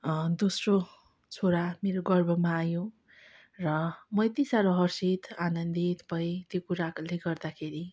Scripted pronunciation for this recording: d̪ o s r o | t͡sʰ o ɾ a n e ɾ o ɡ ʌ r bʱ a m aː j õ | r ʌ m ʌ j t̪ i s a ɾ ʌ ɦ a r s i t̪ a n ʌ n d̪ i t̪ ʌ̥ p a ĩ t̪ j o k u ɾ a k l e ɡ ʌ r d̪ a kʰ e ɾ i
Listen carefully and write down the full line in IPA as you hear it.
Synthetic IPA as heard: d̪ o s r o | t͡sʰ o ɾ a m e ɾ o ɡ ʌ r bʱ ʌ m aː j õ | r ʌ m ʌ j t̪ i s a ɾ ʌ ɦ ʌ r s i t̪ a n ʌ n d̪ i t̪ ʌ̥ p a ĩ t̪ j o k u ɾ a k l e ɡ ʌ r d̪ a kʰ e ɾ i